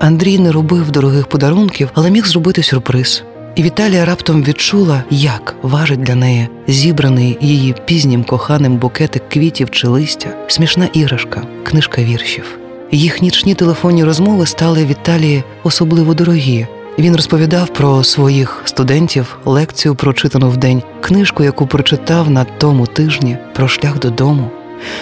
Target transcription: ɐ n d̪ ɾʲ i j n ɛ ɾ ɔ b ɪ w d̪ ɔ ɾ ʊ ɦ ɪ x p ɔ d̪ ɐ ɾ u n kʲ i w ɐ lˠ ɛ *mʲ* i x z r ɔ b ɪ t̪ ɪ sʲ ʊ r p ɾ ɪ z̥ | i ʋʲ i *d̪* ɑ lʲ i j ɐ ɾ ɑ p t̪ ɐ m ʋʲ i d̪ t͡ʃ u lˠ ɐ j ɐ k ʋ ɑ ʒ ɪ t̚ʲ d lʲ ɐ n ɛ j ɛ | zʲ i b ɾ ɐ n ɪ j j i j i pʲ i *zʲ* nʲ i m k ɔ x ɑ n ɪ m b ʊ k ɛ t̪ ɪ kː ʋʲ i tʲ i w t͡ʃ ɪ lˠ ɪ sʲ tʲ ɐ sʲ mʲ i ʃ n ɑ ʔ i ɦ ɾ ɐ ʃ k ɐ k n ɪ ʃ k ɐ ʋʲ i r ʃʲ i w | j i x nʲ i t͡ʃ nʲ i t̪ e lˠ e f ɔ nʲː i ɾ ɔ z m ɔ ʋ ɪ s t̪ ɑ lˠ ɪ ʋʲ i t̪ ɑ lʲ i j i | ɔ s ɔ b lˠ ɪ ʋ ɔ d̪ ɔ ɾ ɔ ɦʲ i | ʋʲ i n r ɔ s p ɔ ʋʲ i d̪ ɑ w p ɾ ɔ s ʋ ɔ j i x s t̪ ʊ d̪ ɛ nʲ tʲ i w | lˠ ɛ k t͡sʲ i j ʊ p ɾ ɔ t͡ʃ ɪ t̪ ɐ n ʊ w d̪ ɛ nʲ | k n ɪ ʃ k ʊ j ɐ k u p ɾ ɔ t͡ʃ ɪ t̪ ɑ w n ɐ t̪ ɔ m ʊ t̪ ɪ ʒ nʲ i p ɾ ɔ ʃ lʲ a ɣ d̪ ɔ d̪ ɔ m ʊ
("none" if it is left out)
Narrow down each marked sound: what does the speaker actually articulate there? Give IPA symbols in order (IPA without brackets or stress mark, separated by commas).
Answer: mʲ, t̪, zʲ